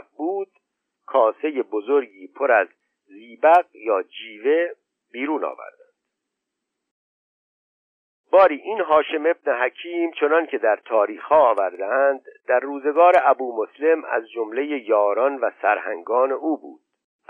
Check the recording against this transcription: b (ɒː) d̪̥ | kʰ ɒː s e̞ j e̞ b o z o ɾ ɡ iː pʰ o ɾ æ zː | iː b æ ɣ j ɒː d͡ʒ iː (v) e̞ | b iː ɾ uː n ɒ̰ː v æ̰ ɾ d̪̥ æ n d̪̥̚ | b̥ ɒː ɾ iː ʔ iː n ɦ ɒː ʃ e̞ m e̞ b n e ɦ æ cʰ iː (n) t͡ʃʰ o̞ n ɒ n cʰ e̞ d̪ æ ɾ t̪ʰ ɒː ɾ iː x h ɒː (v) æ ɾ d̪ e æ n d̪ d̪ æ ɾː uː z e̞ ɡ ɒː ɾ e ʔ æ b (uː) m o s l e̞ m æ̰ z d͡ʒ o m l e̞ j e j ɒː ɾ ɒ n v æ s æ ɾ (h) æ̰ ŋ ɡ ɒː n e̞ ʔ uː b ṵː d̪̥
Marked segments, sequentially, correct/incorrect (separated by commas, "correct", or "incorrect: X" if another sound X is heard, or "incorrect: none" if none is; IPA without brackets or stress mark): incorrect: uː, correct, incorrect: m, correct, correct, correct